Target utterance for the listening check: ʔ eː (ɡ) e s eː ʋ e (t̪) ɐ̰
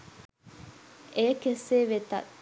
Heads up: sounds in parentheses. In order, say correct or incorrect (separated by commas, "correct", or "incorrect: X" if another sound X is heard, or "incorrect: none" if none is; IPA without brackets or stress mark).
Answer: incorrect: k, correct